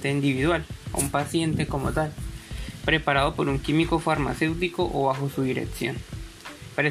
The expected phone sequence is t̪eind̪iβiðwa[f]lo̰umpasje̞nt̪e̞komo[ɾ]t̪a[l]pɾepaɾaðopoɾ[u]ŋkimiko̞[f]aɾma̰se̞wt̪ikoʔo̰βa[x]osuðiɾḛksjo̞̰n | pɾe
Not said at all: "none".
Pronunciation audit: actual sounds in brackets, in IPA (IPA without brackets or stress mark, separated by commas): none, none, l, u, f, x